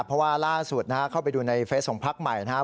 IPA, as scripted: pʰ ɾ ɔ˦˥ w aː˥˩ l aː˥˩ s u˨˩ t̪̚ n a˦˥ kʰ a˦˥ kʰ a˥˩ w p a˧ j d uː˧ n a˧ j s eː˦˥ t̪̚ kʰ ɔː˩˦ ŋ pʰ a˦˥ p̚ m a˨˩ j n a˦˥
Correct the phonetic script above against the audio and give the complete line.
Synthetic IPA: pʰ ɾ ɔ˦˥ w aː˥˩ l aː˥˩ s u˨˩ t̪̚ n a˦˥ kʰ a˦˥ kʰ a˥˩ w p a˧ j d uː˧ n a˧ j f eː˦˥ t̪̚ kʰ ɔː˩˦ ŋ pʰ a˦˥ k̚ m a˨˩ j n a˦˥